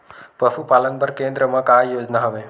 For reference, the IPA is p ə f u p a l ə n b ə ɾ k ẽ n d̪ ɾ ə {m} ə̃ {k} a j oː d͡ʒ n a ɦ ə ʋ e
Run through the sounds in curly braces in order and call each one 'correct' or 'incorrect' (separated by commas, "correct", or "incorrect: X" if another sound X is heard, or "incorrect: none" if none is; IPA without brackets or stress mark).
correct, correct